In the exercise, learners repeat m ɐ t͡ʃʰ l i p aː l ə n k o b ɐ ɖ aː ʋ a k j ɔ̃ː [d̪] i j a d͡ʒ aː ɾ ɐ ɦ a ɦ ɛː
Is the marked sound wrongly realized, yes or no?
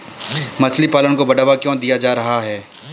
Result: no